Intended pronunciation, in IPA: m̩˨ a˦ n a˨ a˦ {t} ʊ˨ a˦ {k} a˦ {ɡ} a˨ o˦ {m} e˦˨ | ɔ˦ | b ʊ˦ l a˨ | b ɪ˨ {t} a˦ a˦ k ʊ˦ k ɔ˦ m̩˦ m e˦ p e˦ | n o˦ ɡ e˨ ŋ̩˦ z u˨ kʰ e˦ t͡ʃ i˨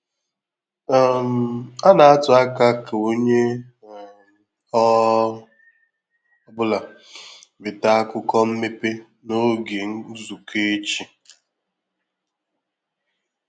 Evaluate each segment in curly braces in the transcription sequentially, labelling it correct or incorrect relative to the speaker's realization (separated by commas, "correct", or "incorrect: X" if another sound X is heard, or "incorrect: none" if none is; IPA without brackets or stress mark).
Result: correct, correct, incorrect: k, incorrect: ɲ, correct